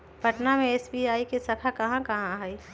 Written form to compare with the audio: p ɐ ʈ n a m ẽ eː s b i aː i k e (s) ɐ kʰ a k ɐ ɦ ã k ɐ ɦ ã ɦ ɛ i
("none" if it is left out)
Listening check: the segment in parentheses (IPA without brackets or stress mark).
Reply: s